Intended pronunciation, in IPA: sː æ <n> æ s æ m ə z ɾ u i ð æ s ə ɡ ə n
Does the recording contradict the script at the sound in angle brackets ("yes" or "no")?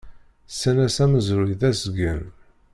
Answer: no